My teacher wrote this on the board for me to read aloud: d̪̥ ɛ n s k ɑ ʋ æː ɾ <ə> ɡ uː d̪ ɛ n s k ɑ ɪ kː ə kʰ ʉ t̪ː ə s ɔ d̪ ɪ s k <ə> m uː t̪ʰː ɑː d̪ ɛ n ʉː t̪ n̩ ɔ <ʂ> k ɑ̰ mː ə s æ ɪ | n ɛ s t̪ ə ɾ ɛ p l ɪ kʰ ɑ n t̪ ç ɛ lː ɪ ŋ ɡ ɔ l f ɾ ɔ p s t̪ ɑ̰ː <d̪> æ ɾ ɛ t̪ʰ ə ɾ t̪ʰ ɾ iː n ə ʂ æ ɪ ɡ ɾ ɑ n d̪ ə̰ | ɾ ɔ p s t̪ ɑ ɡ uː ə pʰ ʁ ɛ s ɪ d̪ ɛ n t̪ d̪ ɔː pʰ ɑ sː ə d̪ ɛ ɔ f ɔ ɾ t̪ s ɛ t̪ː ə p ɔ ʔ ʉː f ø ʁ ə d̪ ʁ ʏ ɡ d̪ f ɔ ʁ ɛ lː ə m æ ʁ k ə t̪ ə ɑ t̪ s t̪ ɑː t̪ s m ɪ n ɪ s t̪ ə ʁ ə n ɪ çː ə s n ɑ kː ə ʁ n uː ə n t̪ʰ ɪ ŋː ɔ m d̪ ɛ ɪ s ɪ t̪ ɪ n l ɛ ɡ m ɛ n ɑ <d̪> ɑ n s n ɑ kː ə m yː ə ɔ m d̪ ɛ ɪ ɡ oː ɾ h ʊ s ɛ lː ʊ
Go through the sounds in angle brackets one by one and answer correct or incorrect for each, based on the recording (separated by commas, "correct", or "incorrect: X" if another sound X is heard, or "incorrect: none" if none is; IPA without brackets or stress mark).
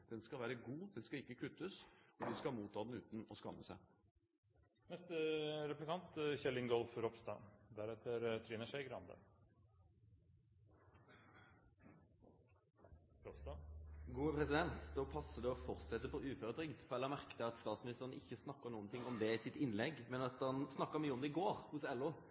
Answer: correct, incorrect: ɑ, incorrect: s, correct, incorrect: t̪